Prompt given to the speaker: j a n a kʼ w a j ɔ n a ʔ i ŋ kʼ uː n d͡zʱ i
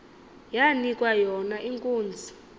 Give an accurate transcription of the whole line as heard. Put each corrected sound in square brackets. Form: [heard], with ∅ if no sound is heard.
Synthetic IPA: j a n [i] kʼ w a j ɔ n a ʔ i ŋ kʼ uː n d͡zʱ i